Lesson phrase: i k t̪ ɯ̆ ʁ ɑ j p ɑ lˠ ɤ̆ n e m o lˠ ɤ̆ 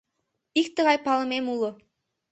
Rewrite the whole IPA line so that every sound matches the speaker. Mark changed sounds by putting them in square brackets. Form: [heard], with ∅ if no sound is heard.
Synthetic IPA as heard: i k t̪ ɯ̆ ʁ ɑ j p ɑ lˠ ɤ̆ [m] e m [u] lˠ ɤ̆

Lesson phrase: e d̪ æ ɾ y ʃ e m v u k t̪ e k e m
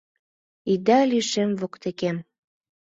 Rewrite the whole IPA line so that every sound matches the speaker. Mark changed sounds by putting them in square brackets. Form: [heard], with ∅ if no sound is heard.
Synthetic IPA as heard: [i] d̪ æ [l] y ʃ e m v [o] k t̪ e k e m

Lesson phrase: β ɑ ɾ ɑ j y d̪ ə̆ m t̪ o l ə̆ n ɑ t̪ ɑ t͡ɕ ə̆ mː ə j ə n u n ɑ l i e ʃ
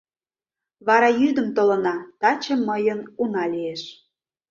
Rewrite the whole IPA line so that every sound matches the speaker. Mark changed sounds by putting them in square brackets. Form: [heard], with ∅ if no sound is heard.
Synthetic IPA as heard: β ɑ ɾ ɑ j y d̪ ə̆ m t̪ o l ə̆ n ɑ t̪ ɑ t͡ɕ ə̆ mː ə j ə n u n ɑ l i e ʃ

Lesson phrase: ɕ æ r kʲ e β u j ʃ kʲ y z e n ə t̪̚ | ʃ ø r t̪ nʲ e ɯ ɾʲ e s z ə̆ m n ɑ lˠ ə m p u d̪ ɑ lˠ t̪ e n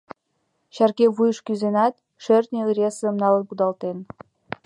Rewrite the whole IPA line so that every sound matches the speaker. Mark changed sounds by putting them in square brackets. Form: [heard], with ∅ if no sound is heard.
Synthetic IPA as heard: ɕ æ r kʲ e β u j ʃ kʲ y z e n [ɑ] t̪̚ | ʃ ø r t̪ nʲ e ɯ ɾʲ e s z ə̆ m n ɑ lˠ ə [n] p u d̪ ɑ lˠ t̪ e n

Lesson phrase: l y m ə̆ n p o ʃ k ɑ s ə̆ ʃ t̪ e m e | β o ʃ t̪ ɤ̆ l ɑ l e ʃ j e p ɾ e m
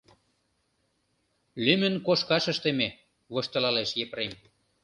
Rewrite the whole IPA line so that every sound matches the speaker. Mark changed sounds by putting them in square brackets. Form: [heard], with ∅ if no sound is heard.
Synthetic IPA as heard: l y m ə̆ n [k] o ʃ k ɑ [ʃ] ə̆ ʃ t̪ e m e | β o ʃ t̪ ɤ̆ l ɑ l e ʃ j e p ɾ e m

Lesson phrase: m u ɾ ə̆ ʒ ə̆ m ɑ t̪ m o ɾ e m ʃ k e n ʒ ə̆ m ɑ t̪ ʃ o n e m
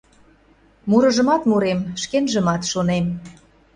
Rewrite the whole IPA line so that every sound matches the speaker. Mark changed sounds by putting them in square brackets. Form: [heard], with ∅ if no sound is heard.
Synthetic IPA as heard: m u ɾ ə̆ ʒ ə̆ m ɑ t̪ m [u] ɾ e m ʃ k e n ʒ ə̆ m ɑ t̪ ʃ o n e m

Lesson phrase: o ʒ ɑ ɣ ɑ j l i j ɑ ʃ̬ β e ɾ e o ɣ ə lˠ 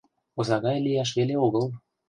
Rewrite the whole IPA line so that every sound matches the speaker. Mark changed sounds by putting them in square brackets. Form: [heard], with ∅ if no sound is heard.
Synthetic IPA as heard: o [z] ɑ ɣ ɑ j l i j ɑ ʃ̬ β e [l] e o ɣ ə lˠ

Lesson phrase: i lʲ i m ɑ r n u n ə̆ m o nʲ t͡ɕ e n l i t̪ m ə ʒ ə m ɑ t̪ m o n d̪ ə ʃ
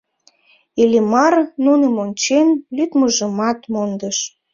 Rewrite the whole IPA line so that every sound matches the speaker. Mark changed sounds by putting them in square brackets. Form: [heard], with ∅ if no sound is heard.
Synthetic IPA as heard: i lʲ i m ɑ r n u n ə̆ m o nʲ t͡ɕ e n l [y] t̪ m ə ʒ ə m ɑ t̪ m o n d̪ ə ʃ

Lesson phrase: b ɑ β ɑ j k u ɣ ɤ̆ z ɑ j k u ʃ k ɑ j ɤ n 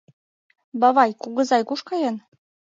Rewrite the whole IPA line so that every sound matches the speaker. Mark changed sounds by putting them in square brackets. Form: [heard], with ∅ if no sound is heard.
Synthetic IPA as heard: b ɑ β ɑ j k u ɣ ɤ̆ z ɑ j k u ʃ k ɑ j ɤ n

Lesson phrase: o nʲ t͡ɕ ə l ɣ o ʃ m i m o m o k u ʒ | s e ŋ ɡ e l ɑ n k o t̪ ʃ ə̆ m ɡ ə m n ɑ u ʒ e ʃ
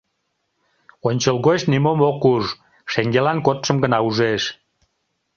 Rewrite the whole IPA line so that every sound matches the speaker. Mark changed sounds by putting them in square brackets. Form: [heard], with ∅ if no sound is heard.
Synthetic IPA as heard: o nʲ t͡ɕ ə l ɣ o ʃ [n] i m o m o k u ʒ | [ʃ] e ŋ ɡ e l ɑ n k o t̪ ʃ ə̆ m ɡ ə [∅] n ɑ u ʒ e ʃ

